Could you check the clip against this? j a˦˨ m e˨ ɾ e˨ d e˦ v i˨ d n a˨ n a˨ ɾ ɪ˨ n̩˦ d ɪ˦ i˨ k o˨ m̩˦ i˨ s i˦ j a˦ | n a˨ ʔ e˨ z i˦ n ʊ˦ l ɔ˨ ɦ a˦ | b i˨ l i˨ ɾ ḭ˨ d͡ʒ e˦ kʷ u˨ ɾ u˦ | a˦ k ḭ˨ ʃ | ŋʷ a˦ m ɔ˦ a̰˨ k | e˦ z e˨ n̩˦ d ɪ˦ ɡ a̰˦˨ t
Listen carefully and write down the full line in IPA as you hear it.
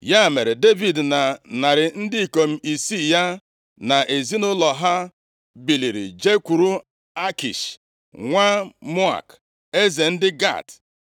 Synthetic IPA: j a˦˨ m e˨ ɾ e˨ d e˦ v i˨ d n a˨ n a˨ ɾ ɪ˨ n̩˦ d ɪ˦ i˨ k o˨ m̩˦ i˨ s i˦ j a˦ | n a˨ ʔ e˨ z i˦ n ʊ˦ l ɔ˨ ɦ a˦ | b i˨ l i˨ ɾ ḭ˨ d͡ʒ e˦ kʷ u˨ ɾ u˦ | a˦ k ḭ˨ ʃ | ŋʷ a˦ m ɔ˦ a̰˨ k | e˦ z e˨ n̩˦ d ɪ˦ ɡ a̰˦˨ t